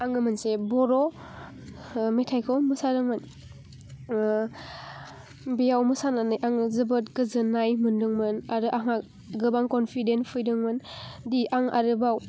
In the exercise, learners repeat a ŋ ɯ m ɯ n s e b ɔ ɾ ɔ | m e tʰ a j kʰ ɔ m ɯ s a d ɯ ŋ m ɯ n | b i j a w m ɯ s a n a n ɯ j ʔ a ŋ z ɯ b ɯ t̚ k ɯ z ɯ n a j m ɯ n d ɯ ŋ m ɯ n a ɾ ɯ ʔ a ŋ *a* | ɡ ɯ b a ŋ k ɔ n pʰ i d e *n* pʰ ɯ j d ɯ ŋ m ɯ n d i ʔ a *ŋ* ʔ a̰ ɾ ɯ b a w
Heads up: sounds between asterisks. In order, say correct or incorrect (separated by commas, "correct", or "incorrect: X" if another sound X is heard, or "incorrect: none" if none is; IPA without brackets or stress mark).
correct, correct, correct